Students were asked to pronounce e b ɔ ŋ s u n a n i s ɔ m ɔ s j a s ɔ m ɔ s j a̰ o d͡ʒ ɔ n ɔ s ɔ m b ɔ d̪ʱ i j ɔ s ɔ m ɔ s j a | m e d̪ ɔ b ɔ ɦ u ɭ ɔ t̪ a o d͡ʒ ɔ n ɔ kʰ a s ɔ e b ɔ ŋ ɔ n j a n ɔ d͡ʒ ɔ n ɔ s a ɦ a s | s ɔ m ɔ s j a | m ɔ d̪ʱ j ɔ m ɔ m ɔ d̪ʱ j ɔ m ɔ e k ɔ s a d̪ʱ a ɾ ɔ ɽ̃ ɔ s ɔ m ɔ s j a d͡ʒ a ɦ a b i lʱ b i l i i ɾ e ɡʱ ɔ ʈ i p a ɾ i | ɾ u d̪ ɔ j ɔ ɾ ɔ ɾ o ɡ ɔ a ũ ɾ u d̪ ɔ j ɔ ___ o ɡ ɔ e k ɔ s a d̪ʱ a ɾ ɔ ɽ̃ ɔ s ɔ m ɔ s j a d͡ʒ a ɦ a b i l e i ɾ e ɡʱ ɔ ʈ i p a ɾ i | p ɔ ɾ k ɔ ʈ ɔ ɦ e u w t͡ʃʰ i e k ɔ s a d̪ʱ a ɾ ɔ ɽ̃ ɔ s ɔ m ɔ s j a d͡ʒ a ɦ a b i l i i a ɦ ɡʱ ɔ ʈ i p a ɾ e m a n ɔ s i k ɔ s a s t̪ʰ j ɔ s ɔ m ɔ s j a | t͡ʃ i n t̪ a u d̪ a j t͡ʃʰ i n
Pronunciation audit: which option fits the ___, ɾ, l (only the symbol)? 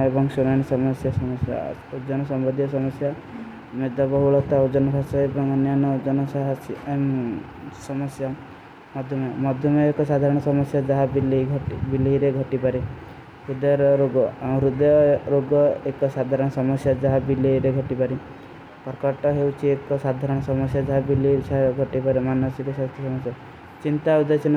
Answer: ɾ